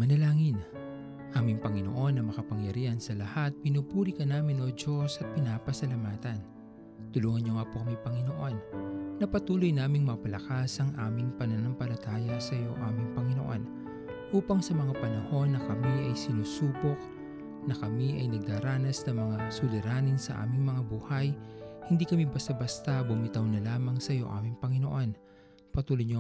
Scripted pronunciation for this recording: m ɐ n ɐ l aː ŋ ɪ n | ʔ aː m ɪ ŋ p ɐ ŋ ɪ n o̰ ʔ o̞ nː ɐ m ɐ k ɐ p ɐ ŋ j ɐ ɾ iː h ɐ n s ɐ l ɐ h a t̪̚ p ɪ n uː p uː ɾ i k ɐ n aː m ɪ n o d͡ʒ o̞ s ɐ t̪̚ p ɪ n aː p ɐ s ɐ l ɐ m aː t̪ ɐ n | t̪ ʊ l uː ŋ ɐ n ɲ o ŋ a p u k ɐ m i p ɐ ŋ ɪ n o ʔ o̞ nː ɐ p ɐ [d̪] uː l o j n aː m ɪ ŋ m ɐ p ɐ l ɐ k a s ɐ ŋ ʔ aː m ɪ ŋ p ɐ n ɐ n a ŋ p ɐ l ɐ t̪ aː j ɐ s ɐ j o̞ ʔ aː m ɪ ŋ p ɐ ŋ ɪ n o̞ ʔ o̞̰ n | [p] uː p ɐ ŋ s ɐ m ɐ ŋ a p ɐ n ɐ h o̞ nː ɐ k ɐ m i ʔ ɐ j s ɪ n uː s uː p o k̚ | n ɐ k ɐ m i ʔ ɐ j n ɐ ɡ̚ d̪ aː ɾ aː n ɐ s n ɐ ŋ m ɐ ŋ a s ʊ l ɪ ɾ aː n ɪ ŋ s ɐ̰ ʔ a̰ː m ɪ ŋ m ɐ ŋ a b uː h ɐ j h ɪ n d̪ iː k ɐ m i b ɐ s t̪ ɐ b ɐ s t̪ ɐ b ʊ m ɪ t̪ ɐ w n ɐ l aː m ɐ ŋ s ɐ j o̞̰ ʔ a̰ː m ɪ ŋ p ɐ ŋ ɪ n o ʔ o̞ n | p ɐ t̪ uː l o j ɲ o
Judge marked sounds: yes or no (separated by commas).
no, no